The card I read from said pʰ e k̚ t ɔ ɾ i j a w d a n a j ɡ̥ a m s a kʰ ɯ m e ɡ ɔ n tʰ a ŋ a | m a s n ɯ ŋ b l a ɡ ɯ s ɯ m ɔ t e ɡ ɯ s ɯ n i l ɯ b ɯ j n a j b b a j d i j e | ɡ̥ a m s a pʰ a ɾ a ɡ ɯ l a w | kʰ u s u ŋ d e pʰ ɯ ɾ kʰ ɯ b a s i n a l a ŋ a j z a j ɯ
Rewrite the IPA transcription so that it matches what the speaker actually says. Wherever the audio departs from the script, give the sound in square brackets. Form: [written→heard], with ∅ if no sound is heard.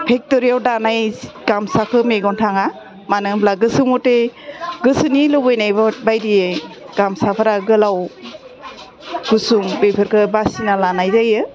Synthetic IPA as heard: pʰ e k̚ t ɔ ɾ i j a w d a n a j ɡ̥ a m s a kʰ ɯ m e ɡ ɔ n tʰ a ŋ a | m a [s→∅] n ɯ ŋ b l a ɡ ɯ s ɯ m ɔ t e ɡ ɯ s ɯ n i l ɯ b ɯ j n a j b b a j d i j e | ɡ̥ a m s a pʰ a ɾ a ɡ ɯ l a w | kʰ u s u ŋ [d→b] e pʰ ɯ ɾ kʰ ɯ b a s i n a l a [ŋ→n] a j z a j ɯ